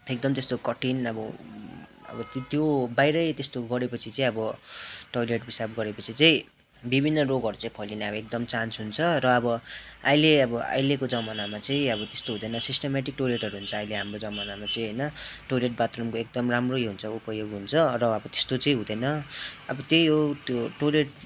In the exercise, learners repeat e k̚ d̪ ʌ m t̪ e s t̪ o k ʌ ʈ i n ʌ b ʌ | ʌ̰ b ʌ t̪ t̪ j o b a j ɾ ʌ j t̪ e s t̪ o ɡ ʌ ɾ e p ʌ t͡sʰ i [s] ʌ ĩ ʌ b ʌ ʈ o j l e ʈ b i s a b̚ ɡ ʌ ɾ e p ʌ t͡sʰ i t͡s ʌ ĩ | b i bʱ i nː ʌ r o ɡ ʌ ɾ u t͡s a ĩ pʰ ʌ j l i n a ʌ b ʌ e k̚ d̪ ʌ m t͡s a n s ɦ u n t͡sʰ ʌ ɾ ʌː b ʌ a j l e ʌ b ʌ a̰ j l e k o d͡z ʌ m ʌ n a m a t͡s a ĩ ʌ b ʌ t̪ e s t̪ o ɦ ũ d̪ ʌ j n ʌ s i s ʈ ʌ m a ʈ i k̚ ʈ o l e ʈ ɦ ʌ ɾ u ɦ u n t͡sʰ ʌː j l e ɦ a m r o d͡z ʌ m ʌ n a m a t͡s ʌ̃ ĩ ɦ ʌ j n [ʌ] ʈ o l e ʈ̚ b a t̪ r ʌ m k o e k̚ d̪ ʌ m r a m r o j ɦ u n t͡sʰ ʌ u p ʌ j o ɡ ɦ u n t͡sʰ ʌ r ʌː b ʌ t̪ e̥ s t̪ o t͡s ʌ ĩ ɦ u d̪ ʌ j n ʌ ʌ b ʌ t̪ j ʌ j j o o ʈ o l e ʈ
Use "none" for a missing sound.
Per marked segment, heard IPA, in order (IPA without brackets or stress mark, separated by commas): t͡s, ʌ